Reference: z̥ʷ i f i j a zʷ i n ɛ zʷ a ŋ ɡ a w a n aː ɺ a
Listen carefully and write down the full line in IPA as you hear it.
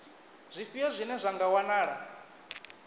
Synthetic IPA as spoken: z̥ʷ i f i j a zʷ i n ɛ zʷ a ŋ ɡ a w a n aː ɺ a

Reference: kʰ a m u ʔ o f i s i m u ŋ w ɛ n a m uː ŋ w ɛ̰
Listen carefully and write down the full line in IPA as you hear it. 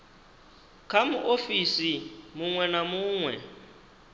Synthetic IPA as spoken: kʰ a m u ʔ o f i s i m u ŋ w ɛ n a m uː ŋ w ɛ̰

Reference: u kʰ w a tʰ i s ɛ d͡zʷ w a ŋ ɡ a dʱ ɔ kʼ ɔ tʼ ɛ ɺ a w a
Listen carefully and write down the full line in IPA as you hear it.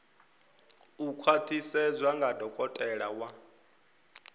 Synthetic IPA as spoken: u kʰ w a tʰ i s ɛ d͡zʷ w a ŋ ɡ a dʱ ɔ kʼ ɔ tʼ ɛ ɺ a w a

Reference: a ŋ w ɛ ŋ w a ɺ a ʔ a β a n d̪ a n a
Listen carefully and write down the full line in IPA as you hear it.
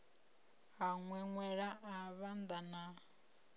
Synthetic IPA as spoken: a ŋ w ɛ ŋ w ɛ ɺ a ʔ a β a n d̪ a n a

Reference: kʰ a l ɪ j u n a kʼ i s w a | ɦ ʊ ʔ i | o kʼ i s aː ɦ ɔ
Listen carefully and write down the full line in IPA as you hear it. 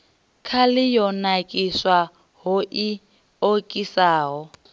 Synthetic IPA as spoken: kʰ a l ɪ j ɔ n a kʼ i s w a | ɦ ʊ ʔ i | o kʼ i s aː ɦ ɔ

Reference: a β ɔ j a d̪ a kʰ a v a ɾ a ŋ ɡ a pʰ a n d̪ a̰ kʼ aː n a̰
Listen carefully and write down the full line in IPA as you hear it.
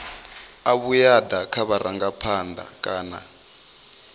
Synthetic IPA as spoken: a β u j a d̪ a kʰ a β a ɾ a ŋ ɡ a pʰ a n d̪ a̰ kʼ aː n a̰

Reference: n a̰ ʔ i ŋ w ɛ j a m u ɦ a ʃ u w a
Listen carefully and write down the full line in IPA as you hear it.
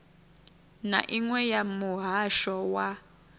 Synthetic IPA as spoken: n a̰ ʔ i ŋ w ɛ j a m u ɦ a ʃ ɔ w a

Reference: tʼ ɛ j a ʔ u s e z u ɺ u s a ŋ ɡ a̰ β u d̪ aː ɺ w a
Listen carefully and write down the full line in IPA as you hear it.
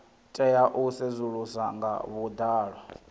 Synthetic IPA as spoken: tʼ ɛ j a ʔ u s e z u ɺ u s a ŋ ɡ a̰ β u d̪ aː ɺ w a

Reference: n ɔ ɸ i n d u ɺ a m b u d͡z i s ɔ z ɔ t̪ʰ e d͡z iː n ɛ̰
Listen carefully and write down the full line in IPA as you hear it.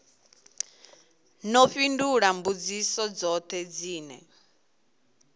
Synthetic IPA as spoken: n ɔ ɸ i n d u ɺ a m b u d͡z i s ɔ d͡z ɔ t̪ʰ ɛ d͡z iː n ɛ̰

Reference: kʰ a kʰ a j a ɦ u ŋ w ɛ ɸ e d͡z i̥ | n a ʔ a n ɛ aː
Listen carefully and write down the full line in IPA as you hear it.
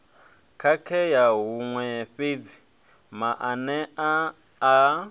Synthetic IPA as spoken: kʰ a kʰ ɛ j a ɦ u ŋ w ɛ ɸ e d͡z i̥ | m a ʔ a n ɛ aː

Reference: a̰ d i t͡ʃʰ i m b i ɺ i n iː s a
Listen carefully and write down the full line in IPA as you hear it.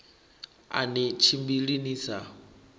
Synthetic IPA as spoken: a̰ n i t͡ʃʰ i m b i ɺ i n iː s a

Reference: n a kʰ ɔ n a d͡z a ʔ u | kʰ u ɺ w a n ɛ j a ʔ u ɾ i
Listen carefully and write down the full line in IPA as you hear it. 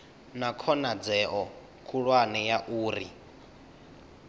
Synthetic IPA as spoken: n a kʰ ɔ n a d͡z ɛ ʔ ɔ | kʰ u ɺ w a n ɛ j a ʔ uː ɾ i

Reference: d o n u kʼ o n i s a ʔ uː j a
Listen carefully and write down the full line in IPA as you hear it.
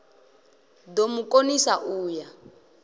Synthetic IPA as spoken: d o m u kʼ o n i s a ʔ uː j a

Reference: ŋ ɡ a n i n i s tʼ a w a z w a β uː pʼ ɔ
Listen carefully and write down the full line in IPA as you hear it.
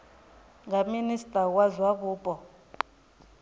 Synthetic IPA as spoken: ŋ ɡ a m i n i s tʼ a w a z w a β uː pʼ ɔ

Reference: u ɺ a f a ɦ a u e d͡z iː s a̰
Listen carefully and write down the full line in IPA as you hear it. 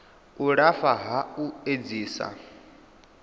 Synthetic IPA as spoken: u ɺ a f a ɦ a u e d͡z iː s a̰

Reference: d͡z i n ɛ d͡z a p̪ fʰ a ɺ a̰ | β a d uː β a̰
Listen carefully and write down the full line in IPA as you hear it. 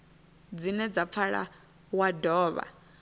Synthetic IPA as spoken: d͡z i n ɛ d͡z a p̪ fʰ a ɺ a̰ | w a d ɔː β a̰

